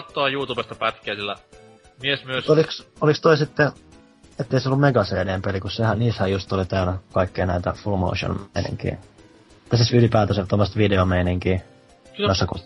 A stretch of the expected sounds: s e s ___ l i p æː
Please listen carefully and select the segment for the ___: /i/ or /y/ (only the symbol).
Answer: y